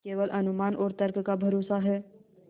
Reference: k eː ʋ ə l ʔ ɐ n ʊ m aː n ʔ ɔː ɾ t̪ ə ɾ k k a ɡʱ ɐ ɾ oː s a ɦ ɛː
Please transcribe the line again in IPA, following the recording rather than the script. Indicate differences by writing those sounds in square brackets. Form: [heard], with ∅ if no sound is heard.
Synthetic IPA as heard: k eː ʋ ə l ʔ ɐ n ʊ m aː n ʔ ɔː ɾ t̪ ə ɾ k k a [bʱ] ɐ ɾ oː s a ɦ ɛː